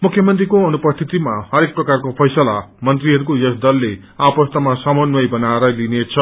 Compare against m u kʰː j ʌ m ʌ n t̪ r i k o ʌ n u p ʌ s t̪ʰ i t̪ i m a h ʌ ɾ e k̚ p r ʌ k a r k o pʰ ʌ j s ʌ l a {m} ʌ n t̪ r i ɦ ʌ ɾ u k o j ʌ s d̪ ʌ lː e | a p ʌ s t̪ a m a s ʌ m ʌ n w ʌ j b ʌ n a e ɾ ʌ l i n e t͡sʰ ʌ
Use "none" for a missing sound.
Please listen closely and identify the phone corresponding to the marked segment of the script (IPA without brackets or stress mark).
m